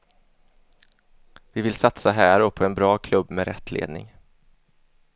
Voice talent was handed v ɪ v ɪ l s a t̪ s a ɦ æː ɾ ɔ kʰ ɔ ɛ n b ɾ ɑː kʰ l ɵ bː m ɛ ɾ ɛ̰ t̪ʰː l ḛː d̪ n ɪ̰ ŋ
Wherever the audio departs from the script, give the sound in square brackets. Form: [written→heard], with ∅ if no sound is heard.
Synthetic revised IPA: v ɪ v ɪ l s a t̪ s a ɦ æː ɾ ɔ [kʰ→pʰ] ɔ ɛ n b ɾ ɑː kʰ l ɵ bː m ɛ ɾ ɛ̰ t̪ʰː l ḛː d̪ n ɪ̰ ŋ